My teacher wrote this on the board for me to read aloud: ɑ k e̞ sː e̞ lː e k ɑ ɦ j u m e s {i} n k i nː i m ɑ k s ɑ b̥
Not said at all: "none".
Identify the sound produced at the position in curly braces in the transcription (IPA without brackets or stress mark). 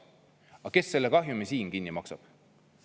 iː